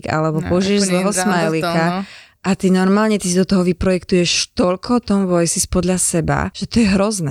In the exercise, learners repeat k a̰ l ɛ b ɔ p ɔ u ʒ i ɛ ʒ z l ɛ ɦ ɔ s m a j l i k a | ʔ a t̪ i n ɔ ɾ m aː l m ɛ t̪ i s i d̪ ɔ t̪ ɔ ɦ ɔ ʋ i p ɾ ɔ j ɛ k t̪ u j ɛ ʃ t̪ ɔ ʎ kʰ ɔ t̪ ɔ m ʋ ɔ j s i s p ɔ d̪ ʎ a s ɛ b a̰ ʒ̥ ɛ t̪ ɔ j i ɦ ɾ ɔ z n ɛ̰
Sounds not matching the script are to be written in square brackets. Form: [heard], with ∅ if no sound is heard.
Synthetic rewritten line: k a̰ l ɛ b ɔ p ɔ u ʒ i ɛ ʒ z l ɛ ɦ ɔ s m a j l i k a | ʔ a t̪ i n ɔ ɾ m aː l [ɲ] ɛ t̪ i s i d̪ ɔ t̪ ɔ ɦ ɔ ʋ i p ɾ ɔ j ɛ k t̪ u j ɛ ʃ t̪ ɔ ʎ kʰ ɔ t̪ ɔ m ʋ ɔ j s i s p ɔ d̪ ʎ a s ɛ b a̰ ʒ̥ ɛ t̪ ɔ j [ɛ] ɦ ɾ ɔ z n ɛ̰